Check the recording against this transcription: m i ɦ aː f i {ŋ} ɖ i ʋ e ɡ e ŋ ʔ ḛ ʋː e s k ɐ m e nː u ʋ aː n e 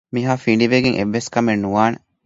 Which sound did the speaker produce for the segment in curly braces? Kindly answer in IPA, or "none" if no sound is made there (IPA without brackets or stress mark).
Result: ɳ